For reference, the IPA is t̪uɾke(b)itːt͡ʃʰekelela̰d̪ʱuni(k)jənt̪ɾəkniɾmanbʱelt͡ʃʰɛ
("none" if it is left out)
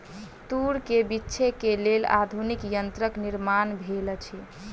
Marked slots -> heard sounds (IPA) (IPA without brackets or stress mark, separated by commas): b, k